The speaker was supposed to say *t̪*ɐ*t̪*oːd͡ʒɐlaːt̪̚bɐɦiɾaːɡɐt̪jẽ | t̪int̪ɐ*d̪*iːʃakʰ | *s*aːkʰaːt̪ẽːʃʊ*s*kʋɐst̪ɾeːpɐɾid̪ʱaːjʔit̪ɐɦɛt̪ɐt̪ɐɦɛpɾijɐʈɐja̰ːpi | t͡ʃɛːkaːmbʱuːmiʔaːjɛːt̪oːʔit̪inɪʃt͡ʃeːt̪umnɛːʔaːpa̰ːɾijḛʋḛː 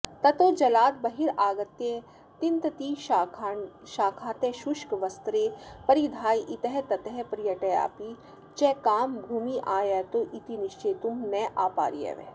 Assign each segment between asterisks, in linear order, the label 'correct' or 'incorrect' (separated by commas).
correct, correct, incorrect, incorrect, incorrect